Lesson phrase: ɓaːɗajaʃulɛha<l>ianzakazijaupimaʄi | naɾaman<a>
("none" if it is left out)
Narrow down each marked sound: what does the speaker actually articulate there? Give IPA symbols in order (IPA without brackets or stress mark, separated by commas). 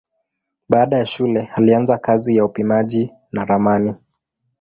l, i